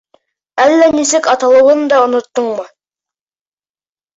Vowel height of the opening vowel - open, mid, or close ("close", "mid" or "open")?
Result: open